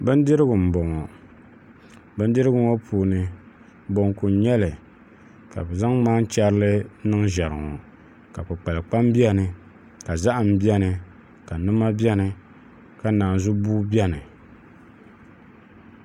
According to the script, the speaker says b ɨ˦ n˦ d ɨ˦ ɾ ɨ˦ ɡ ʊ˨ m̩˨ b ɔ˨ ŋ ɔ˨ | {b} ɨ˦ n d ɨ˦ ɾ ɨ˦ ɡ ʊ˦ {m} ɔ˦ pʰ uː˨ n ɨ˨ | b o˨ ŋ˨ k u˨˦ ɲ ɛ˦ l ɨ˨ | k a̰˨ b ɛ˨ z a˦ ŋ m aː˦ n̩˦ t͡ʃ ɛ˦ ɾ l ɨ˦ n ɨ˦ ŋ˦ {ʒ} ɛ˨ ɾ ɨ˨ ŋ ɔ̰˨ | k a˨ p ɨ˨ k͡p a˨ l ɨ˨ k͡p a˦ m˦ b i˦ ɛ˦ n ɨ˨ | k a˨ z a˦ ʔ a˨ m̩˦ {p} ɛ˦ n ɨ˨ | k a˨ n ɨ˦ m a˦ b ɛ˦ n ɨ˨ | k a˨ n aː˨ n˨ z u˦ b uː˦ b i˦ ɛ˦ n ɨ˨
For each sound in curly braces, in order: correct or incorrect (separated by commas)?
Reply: correct, incorrect, correct, incorrect